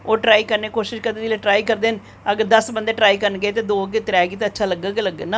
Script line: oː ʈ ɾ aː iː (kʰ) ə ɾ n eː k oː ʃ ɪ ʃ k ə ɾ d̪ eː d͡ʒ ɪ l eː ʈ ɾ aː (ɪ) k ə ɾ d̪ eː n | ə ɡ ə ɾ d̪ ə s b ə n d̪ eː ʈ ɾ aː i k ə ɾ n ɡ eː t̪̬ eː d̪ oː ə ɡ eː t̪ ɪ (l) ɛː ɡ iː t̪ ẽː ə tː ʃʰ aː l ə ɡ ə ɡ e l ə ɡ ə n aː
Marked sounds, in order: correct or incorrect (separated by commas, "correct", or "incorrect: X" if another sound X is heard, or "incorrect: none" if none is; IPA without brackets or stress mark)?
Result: incorrect: k, incorrect: i, incorrect: ɾ